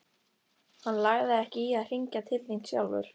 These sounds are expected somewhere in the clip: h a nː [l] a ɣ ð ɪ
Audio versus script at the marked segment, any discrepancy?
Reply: no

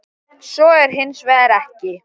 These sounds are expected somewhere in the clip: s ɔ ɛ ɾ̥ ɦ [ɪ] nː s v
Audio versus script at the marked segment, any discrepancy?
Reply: no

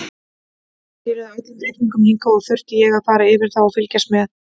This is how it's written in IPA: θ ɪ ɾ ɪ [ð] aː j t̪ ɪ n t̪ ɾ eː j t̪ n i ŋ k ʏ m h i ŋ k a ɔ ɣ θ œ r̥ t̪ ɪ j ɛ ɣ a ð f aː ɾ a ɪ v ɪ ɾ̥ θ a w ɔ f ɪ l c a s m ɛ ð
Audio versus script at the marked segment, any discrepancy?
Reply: no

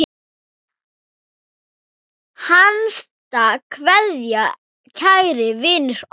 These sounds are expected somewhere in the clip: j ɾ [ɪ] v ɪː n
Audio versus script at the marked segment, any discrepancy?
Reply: no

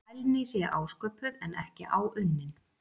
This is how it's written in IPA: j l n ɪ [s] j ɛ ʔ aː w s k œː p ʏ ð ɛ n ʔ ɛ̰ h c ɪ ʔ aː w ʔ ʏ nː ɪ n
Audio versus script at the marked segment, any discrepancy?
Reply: no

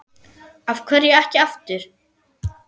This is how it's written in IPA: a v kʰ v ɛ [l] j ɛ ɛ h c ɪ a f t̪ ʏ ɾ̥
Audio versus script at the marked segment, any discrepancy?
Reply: yes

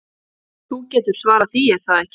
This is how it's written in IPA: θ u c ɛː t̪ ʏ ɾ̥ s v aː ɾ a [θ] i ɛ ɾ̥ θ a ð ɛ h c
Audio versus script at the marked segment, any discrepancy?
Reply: no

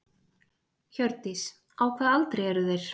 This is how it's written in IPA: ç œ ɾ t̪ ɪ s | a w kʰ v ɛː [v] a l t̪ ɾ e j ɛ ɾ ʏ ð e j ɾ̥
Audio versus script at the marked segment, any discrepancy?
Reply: yes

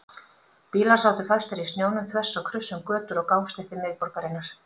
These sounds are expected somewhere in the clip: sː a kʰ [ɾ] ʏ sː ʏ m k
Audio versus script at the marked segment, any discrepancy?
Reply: no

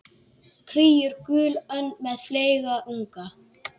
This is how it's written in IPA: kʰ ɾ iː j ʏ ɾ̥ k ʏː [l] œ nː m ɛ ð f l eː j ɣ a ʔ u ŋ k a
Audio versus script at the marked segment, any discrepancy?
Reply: no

